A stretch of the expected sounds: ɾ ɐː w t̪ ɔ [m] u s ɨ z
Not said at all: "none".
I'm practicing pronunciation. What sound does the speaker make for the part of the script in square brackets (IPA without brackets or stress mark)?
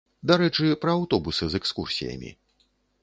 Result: b